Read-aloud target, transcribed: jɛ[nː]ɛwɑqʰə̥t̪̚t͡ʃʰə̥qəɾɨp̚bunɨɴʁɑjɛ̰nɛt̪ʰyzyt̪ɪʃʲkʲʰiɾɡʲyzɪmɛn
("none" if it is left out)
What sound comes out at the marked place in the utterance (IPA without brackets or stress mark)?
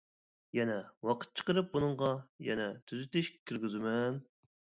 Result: n